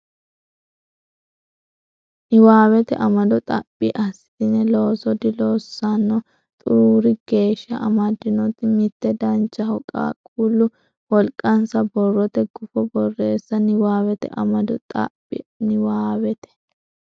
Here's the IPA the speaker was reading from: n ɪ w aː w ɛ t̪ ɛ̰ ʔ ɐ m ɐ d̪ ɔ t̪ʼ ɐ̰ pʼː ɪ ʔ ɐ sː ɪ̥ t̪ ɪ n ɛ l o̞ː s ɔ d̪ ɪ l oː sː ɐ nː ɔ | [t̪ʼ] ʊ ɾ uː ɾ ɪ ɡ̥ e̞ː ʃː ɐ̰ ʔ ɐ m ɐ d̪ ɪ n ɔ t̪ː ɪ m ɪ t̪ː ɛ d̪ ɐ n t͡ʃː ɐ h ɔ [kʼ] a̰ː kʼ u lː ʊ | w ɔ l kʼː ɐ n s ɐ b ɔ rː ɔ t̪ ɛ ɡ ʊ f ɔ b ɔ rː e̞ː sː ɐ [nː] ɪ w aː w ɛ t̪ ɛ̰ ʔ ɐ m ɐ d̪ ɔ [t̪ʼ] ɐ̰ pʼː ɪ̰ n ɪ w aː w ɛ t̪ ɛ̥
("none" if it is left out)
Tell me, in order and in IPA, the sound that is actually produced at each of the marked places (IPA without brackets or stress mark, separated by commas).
t̪ʼ, kʼ, n, t̪ʼ